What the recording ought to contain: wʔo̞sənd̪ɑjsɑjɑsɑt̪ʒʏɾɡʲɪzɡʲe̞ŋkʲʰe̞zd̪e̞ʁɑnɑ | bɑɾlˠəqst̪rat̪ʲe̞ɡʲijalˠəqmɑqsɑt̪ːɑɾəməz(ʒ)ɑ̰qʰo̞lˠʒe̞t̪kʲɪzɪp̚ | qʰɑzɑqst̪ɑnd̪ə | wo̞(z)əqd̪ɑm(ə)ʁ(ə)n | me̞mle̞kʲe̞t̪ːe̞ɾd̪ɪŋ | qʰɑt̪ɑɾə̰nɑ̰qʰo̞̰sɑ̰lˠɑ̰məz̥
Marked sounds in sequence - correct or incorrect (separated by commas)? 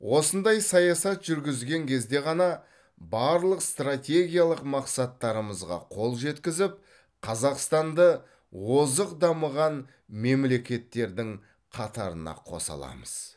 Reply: incorrect, correct, correct, incorrect